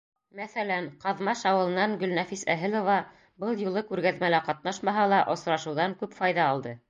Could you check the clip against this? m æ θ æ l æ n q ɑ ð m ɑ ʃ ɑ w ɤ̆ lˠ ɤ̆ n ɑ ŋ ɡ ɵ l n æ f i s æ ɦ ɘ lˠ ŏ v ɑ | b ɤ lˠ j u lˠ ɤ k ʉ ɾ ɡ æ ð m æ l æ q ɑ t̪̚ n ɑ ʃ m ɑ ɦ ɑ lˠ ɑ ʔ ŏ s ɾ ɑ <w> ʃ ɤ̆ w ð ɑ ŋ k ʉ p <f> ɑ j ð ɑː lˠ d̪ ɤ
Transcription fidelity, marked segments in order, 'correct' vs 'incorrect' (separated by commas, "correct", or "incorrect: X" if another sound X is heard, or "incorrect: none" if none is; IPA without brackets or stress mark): incorrect: none, correct